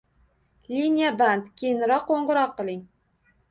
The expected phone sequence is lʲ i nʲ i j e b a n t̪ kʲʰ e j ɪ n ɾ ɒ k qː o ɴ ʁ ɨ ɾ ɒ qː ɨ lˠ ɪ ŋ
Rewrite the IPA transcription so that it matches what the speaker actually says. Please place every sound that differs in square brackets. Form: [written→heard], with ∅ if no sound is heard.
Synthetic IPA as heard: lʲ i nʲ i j [e→a] b a n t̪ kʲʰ e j ɪ n ɾ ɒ [k→q] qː o ɴ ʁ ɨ ɾ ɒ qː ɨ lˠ ɪ ŋ